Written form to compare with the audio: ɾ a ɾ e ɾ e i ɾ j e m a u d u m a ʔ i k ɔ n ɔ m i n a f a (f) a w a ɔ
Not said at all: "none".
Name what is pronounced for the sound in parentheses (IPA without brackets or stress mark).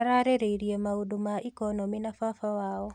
f